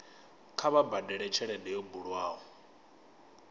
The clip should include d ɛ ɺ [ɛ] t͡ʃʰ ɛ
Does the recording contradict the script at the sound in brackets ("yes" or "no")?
no